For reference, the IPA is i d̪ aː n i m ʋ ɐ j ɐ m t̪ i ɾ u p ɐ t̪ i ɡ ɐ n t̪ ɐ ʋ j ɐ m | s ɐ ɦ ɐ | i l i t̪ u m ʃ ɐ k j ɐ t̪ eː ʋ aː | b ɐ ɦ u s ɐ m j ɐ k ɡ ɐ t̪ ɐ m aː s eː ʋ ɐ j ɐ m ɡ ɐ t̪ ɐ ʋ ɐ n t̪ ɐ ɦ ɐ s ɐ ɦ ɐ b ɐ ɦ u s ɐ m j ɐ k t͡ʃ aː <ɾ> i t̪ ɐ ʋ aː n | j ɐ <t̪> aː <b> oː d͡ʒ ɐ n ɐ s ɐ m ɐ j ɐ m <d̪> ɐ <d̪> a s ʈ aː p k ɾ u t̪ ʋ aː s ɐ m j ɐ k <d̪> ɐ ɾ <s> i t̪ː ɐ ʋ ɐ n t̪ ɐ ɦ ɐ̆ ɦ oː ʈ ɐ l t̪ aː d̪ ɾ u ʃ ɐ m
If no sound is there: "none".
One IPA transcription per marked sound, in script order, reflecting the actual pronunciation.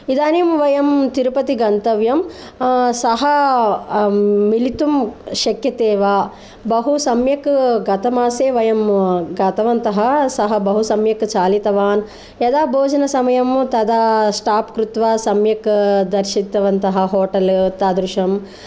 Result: l, d̪, b, t̪, d̪, d̪, ʃ

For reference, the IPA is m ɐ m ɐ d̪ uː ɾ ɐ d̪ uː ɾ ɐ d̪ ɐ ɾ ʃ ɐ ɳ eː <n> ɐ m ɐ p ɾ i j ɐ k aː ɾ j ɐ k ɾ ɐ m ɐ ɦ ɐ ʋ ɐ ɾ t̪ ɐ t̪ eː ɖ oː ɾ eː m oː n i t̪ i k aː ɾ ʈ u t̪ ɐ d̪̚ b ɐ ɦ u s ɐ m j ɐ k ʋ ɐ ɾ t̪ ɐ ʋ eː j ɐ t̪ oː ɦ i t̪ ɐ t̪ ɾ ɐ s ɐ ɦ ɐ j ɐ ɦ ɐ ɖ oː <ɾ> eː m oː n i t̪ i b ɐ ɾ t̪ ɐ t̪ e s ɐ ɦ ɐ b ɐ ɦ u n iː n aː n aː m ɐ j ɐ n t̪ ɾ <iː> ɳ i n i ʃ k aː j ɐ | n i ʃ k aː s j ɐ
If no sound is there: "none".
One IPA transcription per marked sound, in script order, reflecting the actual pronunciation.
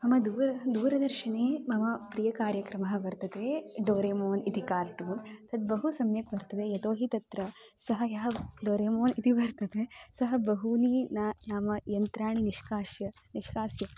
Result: m, ɾ, aː

